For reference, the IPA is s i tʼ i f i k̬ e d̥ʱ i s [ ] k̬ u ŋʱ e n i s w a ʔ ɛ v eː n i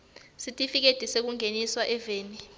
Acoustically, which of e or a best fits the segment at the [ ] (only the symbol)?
e